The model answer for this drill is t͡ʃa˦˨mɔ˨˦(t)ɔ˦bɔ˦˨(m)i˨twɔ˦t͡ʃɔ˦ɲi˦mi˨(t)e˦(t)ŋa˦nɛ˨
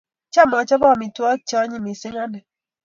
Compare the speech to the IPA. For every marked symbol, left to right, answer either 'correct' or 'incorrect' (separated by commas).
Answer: incorrect, correct, incorrect, incorrect